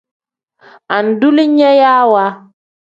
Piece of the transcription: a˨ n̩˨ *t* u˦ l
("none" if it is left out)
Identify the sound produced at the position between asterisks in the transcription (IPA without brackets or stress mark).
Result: d